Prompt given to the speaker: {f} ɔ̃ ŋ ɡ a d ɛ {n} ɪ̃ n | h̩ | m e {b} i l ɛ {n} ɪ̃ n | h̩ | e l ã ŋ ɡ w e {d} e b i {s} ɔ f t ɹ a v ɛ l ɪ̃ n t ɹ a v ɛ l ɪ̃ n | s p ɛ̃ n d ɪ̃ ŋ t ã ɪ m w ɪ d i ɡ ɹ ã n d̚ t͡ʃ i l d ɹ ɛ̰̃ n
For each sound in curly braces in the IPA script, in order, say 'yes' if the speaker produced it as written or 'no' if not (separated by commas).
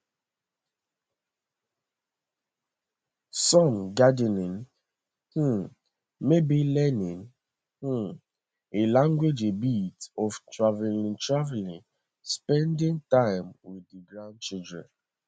no, yes, yes, yes, no, no